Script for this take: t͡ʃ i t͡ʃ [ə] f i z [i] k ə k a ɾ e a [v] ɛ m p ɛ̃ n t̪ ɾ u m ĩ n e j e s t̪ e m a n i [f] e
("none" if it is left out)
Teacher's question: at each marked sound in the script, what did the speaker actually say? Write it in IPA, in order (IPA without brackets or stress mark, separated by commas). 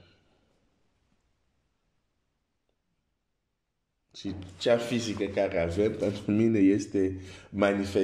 a, i, v, f